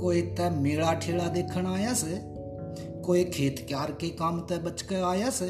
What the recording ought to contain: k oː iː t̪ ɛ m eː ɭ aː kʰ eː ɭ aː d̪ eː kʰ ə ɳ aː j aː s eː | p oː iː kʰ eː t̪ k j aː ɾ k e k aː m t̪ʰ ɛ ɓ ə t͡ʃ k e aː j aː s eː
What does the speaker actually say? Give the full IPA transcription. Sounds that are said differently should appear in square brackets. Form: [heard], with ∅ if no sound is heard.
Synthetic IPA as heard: k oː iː t̪ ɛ m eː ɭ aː [ʈʰ] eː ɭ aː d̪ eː kʰ ə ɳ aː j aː s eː | [k] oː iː kʰ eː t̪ k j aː ɾ k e k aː m [t̪] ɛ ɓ ə t͡ʃ k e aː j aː s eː